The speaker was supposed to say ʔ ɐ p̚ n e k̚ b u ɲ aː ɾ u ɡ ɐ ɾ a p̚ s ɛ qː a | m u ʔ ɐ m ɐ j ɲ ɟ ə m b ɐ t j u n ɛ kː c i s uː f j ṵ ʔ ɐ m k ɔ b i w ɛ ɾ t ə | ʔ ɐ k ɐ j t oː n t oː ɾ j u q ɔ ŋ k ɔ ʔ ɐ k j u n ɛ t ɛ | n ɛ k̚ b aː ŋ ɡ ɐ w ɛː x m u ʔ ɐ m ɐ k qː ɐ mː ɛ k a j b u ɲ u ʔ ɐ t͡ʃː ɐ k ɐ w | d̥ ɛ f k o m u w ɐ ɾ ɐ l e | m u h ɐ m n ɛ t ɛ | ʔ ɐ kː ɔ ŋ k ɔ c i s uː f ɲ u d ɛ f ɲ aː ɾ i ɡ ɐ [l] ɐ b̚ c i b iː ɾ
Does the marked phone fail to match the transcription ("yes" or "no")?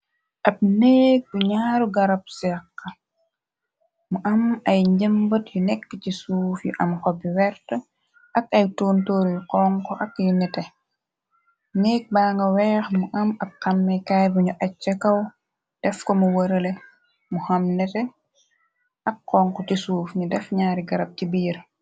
yes